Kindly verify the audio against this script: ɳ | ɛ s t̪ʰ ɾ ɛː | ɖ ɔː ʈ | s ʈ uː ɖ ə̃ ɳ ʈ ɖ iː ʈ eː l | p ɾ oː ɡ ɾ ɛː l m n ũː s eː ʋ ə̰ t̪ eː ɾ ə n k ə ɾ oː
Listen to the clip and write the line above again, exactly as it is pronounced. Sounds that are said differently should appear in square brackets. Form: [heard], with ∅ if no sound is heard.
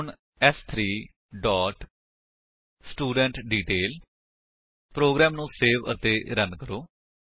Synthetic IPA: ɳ | ɛ s t̪ʰ ɾ [iː] | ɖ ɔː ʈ | s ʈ uː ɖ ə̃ ɳ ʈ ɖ iː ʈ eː l | p ɾ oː ɡ ɾ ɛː [∅] m n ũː s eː ʋ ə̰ t̪ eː ɾ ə n k ə ɾ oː

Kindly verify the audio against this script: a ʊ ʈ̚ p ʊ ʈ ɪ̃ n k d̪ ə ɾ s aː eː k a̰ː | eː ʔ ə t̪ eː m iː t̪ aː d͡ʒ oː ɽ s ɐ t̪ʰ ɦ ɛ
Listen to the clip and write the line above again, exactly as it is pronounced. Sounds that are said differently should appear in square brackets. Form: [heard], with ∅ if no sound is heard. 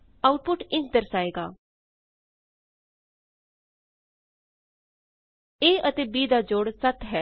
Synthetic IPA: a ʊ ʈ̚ p ʊ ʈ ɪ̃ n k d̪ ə ɾ s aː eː [ɡ] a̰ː | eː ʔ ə t̪ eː [b] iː [d̪] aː d͡ʒ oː ɽ s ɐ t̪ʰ ɦ ɛ

